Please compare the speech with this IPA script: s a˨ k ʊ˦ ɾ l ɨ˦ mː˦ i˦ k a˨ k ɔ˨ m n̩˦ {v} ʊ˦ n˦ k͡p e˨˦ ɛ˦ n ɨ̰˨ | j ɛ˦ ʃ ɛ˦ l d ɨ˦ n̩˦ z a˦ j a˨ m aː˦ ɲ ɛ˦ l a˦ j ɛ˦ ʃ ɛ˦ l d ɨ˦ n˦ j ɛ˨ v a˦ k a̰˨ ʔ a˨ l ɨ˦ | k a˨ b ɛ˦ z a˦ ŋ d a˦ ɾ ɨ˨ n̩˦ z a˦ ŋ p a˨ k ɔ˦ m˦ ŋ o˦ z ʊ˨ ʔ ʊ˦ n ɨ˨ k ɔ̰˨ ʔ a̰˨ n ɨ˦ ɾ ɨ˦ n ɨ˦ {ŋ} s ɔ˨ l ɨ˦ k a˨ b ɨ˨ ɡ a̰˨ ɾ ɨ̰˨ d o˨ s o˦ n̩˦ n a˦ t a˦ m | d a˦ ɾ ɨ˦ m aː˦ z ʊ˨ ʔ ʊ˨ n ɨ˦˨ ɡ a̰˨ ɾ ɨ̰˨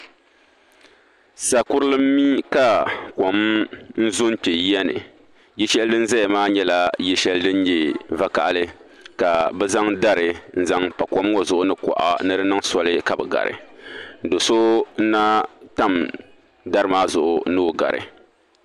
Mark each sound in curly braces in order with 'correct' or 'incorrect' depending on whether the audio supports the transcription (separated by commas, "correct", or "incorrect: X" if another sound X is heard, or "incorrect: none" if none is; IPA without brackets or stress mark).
incorrect: z, correct